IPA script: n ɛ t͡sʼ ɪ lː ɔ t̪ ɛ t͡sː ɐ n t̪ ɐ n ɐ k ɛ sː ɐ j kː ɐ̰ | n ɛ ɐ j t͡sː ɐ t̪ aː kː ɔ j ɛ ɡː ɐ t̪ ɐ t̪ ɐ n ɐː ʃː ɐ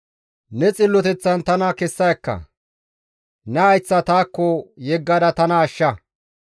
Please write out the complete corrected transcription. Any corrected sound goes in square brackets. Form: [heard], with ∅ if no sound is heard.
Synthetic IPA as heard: n ɛ t͡sʼ ɪ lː ɔ t̪ ɛ t͡sː ɐ n t̪ ɐ n ɐ k ɛ sː ɐ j kː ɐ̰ | n ɛ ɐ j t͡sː ɐ t̪ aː kː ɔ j ɛ ɡː ɐ [d̪] ɐ t̪ ɐ n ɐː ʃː ɐ